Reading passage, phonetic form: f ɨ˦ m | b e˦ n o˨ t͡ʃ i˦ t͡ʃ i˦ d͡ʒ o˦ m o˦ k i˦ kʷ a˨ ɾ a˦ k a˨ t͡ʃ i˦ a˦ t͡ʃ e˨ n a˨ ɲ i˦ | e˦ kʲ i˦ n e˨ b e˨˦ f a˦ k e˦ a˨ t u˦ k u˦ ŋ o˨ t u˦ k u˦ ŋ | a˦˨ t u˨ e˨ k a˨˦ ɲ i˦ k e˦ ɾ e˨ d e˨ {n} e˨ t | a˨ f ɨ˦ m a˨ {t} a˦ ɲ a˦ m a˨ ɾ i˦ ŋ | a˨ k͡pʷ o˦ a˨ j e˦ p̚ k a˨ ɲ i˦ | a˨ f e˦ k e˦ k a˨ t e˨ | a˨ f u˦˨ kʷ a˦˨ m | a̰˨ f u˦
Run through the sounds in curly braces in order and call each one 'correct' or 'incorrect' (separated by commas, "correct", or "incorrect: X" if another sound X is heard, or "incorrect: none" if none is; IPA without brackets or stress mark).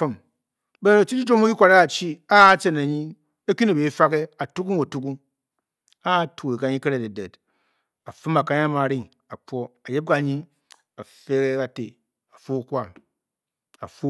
incorrect: d, incorrect: k